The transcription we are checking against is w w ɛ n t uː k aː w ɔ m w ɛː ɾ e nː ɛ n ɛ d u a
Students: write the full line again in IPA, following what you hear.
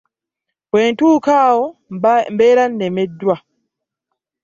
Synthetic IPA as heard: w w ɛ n t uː k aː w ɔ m b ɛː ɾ a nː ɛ m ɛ d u a